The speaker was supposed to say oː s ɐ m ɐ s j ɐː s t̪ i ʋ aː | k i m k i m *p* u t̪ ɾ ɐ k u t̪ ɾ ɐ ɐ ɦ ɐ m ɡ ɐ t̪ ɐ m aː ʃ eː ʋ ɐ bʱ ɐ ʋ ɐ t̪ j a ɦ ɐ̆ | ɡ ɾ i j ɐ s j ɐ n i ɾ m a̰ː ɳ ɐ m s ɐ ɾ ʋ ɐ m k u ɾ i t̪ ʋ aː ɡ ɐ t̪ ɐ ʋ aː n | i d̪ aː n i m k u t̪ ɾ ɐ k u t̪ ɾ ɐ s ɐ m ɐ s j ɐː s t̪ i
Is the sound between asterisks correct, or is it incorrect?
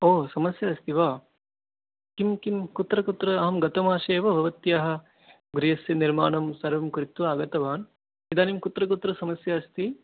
incorrect